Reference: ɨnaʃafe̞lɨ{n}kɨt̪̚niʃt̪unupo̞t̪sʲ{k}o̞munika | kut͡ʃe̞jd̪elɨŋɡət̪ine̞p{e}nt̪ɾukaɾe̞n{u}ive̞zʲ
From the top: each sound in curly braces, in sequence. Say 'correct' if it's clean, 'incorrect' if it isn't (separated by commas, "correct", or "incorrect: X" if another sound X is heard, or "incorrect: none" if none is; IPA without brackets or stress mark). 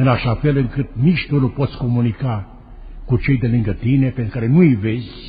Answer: incorrect: ŋ, correct, correct, correct